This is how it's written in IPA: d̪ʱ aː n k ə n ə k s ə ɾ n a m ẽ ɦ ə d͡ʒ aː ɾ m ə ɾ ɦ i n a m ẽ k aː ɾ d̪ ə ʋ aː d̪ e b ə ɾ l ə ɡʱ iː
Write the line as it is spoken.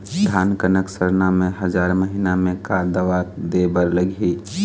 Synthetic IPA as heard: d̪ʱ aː n k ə n ə k s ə ɾ n a m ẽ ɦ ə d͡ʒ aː ɾ m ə ɦ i n a m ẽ k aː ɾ d̪ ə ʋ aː d̪ e b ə ɾ l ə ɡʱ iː